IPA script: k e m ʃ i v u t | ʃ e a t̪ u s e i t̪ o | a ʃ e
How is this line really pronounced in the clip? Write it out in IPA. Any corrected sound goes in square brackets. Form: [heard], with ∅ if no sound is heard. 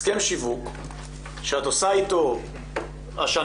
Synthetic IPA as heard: k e m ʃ i v u [k] | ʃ e a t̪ [o] s [a] i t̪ o | a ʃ [a]